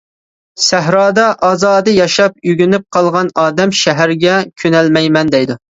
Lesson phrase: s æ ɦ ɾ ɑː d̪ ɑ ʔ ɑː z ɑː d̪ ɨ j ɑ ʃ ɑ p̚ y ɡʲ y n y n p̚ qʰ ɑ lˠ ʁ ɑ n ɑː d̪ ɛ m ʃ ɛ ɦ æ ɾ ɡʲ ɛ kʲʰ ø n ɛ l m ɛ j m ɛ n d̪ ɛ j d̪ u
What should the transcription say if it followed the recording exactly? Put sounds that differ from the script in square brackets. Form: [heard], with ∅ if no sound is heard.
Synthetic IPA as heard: s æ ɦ ɾ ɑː d̪ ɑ ʔ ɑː z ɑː d̪ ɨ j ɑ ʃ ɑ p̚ y ɡʲ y n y [∅] p̚ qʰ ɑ lˠ ʁ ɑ n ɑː d̪ ɛ m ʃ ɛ ɦ æ ɾ ɡʲ ɛ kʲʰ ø n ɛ l m ɛ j m ɛ n d̪ ɛ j d̪ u

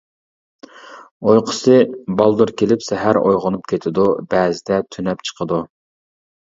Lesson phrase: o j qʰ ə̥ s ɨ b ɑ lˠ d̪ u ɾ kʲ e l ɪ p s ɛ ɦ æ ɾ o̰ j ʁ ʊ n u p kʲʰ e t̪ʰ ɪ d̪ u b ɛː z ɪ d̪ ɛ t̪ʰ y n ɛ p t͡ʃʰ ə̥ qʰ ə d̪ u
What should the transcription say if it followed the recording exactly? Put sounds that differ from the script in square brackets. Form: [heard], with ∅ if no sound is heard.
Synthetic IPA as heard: o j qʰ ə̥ s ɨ b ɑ lˠ d̪ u ɾ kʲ e l ɪ p s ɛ ɦ æ ɾ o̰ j ʁ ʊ n u p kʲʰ e t̪ʰ ɪ d̪ u b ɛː z ɪ d̪ ɛ t̪ʰ y n ɛ p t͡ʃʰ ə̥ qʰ ə d̪ u

